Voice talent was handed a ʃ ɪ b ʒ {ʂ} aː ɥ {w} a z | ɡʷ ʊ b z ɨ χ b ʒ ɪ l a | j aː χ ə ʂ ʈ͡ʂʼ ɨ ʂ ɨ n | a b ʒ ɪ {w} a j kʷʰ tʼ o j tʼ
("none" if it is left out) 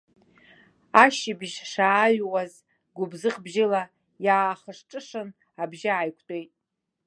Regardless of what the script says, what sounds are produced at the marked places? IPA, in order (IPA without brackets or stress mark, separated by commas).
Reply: ʂ, w, none